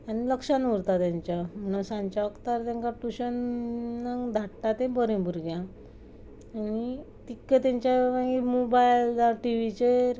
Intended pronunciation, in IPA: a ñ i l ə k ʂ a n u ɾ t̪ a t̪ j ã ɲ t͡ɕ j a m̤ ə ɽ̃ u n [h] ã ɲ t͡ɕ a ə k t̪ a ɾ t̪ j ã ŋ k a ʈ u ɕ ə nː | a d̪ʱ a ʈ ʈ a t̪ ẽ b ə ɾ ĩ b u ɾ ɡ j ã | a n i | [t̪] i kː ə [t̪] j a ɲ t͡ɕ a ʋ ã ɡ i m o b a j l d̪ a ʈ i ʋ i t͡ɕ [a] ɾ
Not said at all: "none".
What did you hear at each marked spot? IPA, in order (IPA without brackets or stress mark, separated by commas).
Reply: s, t̪, t̪, e